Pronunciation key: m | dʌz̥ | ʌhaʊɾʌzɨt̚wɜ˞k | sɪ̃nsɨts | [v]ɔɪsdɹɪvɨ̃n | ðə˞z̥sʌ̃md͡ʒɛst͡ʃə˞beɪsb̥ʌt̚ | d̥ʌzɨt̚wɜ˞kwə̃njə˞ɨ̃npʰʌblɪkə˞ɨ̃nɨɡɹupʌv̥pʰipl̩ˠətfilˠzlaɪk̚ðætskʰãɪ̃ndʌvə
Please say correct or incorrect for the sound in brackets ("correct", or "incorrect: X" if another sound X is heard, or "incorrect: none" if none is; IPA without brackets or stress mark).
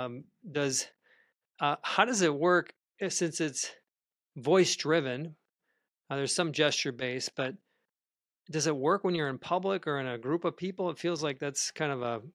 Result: correct